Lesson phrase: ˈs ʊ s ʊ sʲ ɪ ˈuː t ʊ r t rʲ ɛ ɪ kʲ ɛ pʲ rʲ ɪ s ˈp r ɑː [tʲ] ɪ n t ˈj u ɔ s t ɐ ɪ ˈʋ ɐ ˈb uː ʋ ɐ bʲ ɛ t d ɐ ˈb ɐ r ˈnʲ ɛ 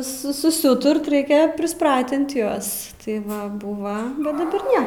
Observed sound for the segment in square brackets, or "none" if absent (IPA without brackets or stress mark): tʲ